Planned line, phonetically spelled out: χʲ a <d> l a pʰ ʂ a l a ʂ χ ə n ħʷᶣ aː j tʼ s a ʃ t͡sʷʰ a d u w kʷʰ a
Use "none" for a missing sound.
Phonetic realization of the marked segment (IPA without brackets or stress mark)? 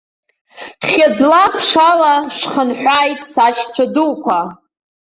d͡z